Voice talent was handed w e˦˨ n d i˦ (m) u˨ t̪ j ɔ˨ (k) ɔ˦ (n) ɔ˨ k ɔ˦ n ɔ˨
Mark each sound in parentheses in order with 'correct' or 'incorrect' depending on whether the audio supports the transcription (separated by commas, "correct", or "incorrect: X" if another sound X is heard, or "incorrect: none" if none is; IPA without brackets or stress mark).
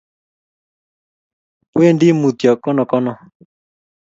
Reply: correct, correct, correct